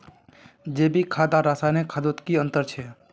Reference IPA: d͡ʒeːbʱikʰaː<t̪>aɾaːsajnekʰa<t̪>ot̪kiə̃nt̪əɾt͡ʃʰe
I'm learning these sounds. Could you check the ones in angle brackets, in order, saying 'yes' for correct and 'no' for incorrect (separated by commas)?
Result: no, no